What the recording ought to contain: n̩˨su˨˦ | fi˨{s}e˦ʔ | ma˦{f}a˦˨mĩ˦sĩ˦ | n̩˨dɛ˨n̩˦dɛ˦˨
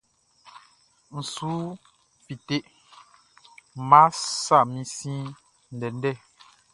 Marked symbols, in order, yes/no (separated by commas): no, no